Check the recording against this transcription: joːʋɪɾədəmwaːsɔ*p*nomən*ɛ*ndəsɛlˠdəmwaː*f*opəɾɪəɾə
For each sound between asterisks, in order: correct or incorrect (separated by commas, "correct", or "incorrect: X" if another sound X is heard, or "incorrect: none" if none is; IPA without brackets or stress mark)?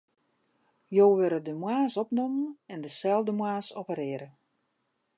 correct, correct, incorrect: s